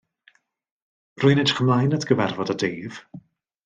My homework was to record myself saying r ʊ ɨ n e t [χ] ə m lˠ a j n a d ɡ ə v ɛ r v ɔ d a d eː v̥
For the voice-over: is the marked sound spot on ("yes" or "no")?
yes